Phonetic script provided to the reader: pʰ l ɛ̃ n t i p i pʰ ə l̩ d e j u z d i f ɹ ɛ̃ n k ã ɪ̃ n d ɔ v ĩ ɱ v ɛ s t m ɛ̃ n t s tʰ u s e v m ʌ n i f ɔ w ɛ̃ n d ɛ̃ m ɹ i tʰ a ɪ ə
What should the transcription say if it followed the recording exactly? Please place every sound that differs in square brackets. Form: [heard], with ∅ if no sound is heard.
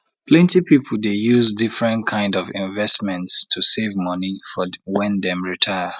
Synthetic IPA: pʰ l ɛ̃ n t i p i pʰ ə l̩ d e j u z d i f ɹ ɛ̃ n [kʰ] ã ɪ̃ n d ɔ v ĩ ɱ v ɛ s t m ɛ̃ n t s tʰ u s e v m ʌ n i f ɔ w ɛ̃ n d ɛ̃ m ɹ i tʰ a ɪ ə